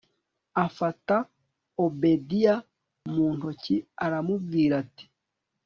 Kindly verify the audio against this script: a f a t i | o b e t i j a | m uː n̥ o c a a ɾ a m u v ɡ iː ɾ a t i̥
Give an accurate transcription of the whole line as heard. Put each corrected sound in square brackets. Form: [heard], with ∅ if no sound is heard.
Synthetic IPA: a f a t [a] | o b e [d] i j a | m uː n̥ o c [i] a ɾ a m u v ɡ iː ɾ a t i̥